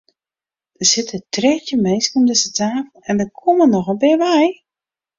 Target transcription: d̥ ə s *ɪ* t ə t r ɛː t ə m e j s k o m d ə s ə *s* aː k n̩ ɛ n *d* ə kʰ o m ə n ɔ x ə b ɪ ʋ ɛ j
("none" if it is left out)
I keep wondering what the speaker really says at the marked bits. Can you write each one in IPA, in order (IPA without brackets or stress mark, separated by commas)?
ɪ, t, d